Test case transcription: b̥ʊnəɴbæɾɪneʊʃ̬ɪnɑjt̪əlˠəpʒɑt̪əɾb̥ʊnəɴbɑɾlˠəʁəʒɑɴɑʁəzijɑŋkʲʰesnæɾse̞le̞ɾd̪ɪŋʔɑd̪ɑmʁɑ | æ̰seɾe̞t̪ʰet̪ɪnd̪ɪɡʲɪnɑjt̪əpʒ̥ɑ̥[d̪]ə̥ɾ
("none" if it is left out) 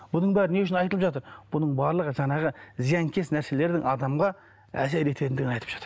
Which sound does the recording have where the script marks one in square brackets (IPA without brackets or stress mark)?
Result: t̪